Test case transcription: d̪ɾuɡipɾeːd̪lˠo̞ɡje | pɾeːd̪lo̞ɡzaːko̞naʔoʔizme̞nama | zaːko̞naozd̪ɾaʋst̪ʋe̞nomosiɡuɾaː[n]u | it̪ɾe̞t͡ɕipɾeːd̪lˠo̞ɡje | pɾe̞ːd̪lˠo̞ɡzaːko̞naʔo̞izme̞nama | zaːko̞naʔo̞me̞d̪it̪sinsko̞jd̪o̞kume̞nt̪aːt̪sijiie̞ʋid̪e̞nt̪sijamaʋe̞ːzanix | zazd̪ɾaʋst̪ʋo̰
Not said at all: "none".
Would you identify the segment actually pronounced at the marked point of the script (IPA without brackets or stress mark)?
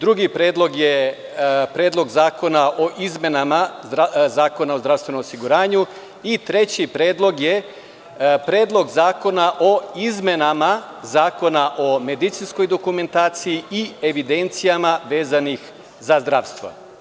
ɲ